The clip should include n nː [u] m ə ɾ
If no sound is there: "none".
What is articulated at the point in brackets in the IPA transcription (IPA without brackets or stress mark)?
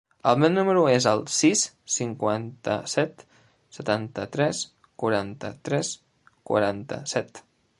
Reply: u